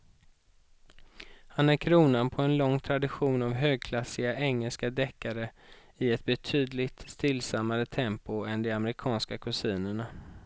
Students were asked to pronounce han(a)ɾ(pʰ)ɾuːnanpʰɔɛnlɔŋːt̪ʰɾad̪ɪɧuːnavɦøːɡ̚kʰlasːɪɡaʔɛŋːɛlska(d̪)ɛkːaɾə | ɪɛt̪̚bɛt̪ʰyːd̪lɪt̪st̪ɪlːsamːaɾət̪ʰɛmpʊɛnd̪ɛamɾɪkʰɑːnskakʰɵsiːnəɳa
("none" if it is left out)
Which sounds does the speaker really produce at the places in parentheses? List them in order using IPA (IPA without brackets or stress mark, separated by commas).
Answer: æ, kʰ, d̪